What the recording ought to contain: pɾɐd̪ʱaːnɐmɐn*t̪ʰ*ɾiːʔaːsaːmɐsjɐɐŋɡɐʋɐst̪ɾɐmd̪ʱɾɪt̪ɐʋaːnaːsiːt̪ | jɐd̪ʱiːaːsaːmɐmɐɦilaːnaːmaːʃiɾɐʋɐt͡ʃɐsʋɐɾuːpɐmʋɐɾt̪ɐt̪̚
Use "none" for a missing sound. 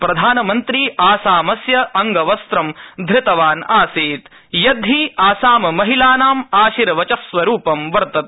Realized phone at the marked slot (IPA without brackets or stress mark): t̪